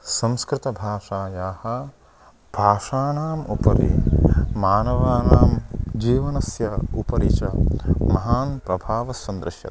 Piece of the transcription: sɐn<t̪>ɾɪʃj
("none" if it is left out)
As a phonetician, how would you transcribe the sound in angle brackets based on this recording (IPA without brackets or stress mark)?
d̪